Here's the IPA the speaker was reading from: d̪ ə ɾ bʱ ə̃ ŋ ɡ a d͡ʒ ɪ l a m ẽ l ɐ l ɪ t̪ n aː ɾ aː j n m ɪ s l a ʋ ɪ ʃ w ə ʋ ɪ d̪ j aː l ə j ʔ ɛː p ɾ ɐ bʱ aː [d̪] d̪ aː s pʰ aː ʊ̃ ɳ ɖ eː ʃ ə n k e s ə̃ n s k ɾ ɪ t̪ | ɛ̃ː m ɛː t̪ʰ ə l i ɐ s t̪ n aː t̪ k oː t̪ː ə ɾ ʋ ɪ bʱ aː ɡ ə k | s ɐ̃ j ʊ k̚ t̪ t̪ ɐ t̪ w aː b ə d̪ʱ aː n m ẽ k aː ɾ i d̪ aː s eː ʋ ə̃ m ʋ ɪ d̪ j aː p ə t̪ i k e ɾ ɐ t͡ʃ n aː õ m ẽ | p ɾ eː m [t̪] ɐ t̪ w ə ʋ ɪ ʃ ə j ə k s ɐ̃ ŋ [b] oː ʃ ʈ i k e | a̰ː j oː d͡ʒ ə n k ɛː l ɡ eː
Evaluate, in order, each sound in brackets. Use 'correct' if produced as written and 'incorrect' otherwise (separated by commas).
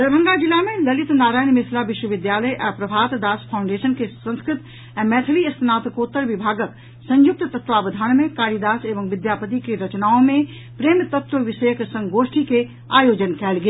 incorrect, correct, incorrect